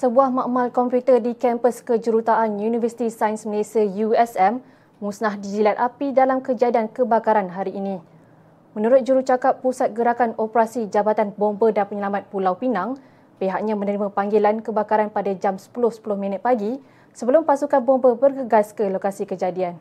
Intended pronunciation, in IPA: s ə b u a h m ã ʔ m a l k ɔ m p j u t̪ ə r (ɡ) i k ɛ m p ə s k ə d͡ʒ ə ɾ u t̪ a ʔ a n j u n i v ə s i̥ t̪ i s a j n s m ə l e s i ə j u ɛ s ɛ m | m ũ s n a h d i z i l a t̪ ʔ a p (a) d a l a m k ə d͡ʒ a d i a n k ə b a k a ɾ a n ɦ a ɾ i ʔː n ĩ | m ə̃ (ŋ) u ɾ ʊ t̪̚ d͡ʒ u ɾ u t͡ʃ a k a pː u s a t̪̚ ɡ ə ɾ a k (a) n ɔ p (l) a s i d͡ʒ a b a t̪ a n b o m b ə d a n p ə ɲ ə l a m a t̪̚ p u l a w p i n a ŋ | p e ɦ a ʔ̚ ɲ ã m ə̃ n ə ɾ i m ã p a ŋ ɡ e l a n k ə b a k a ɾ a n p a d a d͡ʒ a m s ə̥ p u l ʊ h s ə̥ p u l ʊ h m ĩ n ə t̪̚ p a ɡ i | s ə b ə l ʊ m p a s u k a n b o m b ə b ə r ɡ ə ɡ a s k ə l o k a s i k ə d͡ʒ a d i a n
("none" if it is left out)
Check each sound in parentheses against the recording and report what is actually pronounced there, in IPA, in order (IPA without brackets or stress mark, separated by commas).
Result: d, i, n, a, ɾ